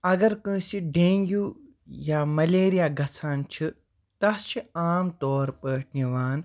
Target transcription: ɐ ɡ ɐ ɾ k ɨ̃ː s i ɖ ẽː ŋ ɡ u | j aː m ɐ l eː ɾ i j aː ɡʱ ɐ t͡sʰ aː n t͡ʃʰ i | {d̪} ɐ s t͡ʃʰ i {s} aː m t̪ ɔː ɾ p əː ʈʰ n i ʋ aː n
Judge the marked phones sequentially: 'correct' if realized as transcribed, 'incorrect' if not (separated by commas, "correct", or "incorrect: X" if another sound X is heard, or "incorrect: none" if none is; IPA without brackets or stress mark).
incorrect: t̪, incorrect: none